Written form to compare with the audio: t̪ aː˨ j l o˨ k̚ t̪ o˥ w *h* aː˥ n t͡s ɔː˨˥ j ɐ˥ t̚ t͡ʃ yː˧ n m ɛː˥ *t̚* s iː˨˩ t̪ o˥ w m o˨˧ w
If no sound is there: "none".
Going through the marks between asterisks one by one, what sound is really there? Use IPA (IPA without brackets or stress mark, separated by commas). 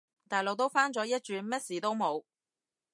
f, t̚